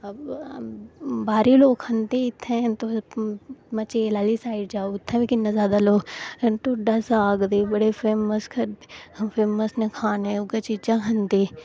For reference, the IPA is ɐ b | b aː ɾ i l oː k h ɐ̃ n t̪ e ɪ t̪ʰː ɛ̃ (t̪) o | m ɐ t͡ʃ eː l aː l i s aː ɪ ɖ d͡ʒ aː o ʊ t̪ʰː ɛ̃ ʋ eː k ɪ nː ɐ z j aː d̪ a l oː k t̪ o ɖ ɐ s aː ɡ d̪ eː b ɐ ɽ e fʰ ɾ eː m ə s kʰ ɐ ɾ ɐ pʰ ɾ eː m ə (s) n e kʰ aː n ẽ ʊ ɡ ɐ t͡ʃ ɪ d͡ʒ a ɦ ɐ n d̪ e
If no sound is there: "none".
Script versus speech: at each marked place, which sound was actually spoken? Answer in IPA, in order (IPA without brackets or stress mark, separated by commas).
t̪, s